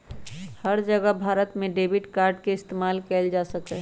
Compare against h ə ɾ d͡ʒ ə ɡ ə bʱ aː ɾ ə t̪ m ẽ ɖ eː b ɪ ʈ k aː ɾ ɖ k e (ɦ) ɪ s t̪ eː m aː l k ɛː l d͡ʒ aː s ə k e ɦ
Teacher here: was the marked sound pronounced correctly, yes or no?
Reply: no